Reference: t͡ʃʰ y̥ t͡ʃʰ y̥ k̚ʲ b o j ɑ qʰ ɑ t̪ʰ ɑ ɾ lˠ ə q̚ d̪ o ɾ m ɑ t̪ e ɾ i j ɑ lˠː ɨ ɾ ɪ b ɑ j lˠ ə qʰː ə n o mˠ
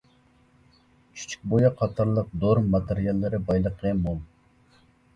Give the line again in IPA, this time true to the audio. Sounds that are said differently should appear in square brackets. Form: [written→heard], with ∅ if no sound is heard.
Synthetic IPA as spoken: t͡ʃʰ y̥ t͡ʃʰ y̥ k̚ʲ b o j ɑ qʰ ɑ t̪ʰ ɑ ɾ lˠ ə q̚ d̪ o ɾ m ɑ t̪ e ɾ i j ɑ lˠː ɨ ɾ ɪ b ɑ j lˠ ə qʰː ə [n→m] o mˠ